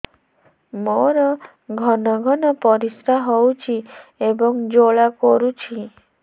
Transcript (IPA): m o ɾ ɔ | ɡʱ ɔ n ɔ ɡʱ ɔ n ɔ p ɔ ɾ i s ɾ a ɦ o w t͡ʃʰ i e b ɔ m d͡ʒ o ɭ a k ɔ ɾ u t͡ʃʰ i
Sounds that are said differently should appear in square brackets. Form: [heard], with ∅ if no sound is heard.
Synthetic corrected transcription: m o ɾ ɔ | ɡʱ ɔ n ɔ ɡʱ ɔ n ɔ p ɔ ɾ i s ɾ a ɦ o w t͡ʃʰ i e b ɔ [ŋ] d͡ʒ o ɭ a k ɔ ɾ u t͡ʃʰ i